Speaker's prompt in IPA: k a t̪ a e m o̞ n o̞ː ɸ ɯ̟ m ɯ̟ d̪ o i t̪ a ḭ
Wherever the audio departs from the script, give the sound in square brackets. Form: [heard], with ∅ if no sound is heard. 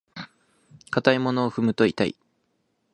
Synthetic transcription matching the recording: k a t̪ a [i] m o̞ n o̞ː ɸ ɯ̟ m ɯ̟ [t̪] o i t̪ a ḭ